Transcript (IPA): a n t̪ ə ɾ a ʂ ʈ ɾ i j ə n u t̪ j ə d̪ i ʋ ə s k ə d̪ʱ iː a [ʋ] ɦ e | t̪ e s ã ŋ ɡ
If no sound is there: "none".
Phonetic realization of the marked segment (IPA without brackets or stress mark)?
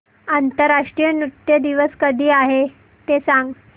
none